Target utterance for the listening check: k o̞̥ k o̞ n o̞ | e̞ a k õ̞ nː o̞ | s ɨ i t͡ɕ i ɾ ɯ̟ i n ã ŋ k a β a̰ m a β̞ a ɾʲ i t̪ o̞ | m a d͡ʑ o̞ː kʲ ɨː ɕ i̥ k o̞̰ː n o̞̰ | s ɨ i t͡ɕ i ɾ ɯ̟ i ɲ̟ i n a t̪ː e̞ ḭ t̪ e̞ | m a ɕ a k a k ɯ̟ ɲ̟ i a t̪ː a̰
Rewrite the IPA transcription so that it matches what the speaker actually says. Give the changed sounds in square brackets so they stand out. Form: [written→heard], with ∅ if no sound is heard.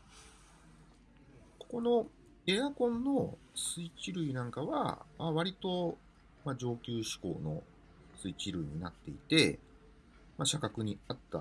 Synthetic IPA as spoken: k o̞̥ k o̞ n o̞ | e̞ a k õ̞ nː o̞ | s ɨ i t͡ɕ i ɾ ɯ̟ i n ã ŋ k a β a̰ m a β̞ a ɾʲ i t̪ o̞ | m a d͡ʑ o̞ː kʲ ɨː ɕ i̥ k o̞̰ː n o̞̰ | s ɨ i t͡ɕ i ɾ ɯ̟ i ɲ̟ i n a t̪ː e̞ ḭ t̪ e̞ | m a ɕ a k a k ɯ̟ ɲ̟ i a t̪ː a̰